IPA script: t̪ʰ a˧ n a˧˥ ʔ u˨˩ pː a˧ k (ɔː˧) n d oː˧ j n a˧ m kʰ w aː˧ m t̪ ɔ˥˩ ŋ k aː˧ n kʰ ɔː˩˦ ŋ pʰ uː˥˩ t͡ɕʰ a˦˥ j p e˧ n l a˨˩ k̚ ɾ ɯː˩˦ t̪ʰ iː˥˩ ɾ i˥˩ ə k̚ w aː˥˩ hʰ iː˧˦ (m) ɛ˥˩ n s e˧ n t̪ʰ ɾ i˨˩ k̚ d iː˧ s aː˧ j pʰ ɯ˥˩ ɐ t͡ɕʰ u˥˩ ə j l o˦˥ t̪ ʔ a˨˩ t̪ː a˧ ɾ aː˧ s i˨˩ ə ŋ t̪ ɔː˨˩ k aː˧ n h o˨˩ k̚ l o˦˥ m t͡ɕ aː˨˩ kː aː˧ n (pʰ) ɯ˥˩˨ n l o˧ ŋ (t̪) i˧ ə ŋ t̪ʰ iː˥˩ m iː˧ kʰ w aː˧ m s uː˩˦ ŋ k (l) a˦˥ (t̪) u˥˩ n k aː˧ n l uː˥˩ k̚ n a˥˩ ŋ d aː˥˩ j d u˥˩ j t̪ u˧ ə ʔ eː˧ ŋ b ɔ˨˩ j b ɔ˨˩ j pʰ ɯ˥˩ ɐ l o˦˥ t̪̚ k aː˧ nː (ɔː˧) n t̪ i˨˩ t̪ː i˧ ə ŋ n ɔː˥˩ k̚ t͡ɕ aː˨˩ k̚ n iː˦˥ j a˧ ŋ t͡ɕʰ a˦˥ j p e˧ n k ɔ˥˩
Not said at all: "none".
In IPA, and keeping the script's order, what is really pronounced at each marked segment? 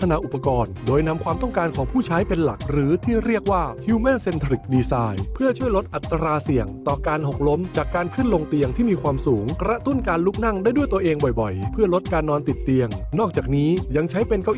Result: ɔː˧, m, kʰ, t̪, ɾ, t̪, ɔː˧

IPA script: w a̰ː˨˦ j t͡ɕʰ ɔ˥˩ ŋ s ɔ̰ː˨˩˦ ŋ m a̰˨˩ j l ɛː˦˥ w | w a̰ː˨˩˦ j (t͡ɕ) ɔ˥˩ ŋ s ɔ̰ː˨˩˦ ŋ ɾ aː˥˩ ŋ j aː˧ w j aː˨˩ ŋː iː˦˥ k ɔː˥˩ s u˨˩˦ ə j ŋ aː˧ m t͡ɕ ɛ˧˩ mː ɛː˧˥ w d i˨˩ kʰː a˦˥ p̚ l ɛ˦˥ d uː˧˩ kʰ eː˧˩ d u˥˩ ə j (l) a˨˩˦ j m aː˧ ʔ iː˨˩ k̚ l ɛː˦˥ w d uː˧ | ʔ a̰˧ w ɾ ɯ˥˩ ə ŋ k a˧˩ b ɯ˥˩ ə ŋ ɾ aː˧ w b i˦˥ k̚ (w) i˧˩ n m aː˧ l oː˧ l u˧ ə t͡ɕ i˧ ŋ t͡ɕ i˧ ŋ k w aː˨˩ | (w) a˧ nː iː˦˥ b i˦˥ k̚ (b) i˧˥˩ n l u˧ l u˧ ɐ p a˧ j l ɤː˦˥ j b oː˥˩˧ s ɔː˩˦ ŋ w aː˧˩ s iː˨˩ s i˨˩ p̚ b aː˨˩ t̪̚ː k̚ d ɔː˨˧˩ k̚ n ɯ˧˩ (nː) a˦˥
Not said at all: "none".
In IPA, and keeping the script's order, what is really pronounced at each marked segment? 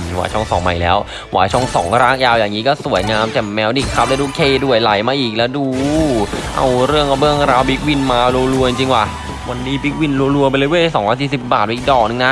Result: t͡ɕʰ, l, w, w, w, n

